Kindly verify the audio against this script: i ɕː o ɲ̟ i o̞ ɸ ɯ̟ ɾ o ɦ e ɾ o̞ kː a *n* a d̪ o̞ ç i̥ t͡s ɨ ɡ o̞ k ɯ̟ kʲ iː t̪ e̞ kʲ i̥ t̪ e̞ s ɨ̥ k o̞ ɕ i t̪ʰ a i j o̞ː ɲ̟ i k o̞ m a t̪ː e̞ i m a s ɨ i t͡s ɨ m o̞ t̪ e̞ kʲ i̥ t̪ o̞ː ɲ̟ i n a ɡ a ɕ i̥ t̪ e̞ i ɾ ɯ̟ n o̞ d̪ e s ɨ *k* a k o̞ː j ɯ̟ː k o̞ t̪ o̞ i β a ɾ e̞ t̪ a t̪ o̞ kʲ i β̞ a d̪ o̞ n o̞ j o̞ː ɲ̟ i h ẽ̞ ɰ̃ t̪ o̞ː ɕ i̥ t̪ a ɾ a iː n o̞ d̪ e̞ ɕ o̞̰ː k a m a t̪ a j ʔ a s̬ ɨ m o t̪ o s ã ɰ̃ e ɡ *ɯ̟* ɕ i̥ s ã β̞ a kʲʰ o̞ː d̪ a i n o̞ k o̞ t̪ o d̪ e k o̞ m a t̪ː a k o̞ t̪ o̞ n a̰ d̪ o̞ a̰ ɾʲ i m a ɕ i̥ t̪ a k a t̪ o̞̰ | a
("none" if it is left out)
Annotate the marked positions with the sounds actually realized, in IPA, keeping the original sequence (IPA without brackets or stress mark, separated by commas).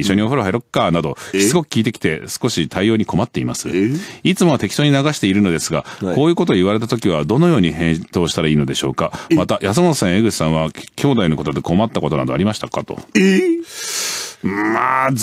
n, ɡ, ɯ̟